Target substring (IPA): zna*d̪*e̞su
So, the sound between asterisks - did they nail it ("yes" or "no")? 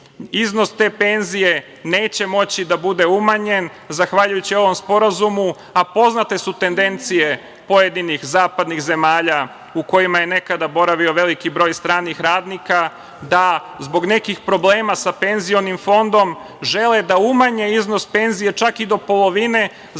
no